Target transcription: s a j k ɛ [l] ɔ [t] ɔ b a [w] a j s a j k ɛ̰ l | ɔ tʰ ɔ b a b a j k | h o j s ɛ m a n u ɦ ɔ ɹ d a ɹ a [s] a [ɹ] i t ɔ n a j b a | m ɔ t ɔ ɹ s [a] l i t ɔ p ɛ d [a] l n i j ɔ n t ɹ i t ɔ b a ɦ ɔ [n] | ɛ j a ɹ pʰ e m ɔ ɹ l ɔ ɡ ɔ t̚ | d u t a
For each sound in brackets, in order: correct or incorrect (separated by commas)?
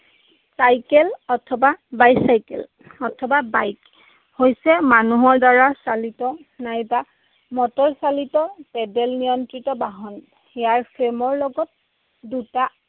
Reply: correct, incorrect, incorrect, correct, incorrect, correct, incorrect, correct